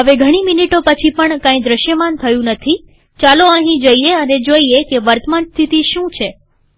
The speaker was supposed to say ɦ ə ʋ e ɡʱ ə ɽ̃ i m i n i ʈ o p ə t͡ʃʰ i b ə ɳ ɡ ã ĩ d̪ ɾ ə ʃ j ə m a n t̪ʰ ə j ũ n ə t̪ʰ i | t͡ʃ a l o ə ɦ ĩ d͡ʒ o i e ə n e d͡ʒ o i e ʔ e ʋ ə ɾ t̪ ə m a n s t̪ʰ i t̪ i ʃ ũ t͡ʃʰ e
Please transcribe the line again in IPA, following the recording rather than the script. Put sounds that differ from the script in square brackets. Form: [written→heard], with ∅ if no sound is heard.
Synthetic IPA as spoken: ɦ ə ʋ e ɡʱ ə ɽ̃ i m i n i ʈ o p ə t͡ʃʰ i [b→p] ə ɳ [ɡ→k] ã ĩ d̪ ɾ ə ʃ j ə m a n t̪ʰ ə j ũ n ə t̪ʰ i | t͡ʃ a l o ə ɦ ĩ d͡ʒ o i e ə n e d͡ʒ o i e [ʔ→k] e ʋ ə ɾ t̪ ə m a n s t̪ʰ i t̪ i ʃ ũ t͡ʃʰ e